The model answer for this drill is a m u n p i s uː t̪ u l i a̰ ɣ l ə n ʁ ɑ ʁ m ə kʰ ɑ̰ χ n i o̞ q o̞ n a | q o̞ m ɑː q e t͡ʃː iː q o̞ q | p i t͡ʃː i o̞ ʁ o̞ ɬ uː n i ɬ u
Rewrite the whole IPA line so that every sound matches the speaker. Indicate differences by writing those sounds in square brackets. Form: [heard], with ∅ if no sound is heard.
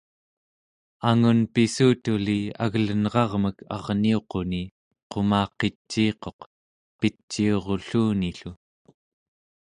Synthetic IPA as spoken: a [ŋ] u n p i s uː t̪ u l i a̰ ɣ l ə n ʁ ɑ ʁ m ə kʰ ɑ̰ [ʁ] n i o̞ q o̞ n [i] | q o̞ m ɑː q e t͡ʃː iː q o̞ q | p i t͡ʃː i o̞ ʁ o̞ ɬ uː n i ɬ u